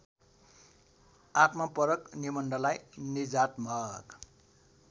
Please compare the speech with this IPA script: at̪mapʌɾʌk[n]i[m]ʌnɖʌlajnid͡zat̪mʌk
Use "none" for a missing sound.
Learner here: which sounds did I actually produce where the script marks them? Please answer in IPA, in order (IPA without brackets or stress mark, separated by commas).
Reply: n, m